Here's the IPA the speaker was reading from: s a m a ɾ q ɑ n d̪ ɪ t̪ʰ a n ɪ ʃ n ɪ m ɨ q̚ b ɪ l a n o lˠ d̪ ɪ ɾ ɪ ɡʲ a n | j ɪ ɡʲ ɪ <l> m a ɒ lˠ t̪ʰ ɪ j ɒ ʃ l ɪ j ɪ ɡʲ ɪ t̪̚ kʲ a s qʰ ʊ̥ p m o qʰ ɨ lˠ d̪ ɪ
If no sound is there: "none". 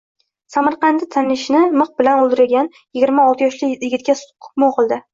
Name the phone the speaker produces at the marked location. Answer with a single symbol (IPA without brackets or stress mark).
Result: ɾ